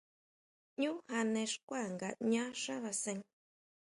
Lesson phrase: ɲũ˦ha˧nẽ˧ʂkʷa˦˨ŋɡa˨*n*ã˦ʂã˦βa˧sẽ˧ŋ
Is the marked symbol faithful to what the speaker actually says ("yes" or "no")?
no